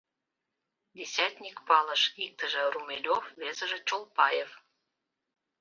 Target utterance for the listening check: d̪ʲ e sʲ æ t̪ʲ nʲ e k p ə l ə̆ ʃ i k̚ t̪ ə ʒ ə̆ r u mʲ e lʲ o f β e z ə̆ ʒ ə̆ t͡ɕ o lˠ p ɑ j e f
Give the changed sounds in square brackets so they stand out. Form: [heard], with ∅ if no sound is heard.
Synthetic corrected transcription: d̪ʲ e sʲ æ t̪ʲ nʲ [i] k p [ɑ] l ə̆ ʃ i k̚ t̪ ə ʒ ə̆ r u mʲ e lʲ o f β e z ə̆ ʒ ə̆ t͡ɕ o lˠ p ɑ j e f